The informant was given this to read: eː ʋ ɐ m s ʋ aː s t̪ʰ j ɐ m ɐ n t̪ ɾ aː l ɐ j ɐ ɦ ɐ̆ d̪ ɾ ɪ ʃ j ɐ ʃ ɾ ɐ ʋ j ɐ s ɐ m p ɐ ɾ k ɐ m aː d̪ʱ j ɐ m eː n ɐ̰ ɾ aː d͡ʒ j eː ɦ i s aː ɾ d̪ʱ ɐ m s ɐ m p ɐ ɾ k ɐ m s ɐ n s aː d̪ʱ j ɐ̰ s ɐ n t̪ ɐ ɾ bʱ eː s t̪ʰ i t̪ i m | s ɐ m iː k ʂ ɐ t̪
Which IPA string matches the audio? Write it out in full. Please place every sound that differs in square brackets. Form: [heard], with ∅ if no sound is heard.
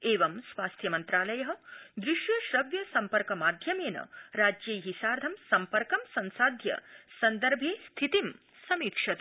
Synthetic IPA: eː ʋ ɐ m s ʋ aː s t̪ʰ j ɐ m ɐ n t̪ ɾ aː l ɐ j ɐ ɦ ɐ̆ d̪ ɾ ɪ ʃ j ɐ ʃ ɾ ɐ ʋ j ɐ s ɐ m p ɐ ɾ k ɐ m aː d̪ʱ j ɐ m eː n ɐ̰ ɾ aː d͡ʒ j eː ɦ i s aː ɾ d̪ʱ ɐ m s ɐ m p ɐ ɾ k ɐ m s ɐ n s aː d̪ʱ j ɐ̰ s ɐ n [d̪] ɐ ɾ bʱ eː s t̪ʰ i t̪ i m | s ɐ m iː k ʂ ɐ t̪

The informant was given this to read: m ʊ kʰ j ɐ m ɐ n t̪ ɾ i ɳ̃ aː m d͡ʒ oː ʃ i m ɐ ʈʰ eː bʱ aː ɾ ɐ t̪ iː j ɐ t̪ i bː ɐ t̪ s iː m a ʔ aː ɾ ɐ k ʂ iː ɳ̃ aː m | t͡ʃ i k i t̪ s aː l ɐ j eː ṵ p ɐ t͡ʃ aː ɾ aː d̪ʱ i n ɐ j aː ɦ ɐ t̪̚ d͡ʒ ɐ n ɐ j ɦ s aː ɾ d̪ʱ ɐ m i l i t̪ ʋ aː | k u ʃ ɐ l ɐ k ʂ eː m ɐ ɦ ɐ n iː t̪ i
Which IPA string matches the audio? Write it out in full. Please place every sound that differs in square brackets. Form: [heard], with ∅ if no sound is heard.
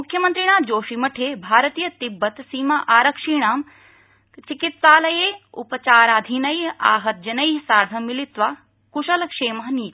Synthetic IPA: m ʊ kʰ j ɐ m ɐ n t̪ ɾ i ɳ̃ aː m d͡ʒ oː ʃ i m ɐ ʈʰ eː bʱ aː ɾ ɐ t̪ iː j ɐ t̪ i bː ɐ t̪ s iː m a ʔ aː ɾ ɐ k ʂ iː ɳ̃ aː m | t͡ʃ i k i t̪ s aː l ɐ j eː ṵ p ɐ t͡ʃ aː ɾ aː d̪ʱ i n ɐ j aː ɦ ɐ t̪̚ d͡ʒ ɐ n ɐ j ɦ s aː ɾ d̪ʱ ɐ m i l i t̪ ʋ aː | k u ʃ ɐ l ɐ k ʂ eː m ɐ ɦ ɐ n iː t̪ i

